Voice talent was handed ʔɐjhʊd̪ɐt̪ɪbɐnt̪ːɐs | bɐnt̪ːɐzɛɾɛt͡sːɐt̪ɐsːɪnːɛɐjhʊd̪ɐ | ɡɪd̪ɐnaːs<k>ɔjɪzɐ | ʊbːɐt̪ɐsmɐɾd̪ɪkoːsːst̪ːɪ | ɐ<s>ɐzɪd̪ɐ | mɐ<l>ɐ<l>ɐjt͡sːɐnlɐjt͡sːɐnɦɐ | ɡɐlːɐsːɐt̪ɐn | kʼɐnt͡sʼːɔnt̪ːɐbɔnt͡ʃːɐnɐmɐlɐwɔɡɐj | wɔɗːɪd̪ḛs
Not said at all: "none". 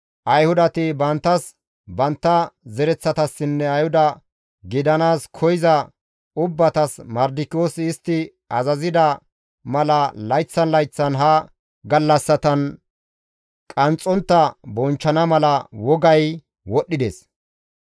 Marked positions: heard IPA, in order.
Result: kʰ, z, l, l

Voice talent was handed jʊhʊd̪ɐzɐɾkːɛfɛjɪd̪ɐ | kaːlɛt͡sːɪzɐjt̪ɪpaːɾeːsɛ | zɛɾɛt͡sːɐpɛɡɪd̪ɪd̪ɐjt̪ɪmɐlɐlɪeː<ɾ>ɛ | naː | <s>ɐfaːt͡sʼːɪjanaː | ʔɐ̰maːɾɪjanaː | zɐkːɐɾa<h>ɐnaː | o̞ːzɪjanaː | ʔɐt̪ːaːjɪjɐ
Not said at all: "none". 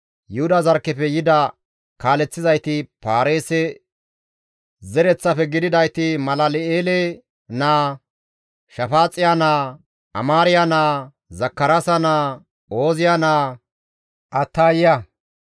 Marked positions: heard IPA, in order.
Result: l, ʃ, s

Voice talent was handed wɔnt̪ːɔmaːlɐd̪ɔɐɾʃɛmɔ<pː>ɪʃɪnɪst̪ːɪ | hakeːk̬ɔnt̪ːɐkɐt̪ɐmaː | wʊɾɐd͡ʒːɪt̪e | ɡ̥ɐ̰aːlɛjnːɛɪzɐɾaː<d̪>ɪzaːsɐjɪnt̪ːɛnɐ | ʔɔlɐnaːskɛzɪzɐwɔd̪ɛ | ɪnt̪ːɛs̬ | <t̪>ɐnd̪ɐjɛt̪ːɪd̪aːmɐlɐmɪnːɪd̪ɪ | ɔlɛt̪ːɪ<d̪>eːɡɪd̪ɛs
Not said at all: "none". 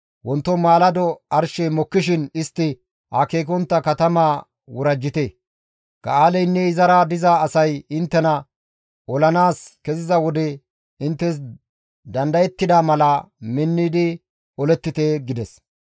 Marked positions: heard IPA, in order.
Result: kː, d̪, d̪, t̪

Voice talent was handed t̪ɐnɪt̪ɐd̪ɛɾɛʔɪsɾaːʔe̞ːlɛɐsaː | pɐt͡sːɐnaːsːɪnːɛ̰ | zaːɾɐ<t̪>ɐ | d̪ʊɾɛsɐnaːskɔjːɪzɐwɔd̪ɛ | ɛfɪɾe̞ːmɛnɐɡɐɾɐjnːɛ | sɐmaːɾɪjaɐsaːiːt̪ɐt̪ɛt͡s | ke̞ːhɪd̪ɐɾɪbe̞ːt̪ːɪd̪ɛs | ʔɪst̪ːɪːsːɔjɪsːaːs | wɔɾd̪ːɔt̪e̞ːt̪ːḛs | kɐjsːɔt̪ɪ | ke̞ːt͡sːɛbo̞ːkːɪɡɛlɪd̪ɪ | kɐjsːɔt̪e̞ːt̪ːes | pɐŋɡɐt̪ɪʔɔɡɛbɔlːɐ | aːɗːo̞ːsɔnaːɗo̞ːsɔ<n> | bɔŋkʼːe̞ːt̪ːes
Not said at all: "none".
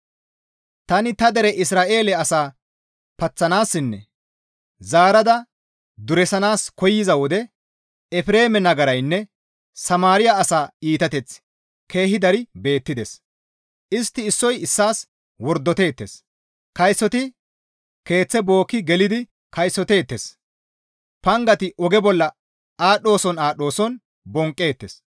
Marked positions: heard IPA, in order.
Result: d̪, n

